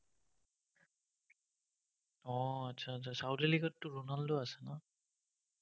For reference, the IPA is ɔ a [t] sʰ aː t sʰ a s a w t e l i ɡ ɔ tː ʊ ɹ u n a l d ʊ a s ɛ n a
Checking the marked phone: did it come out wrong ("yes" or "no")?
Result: no